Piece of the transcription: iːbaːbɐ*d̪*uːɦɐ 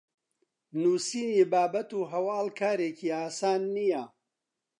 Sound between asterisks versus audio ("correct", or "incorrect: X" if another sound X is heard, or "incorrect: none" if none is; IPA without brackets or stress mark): incorrect: t̪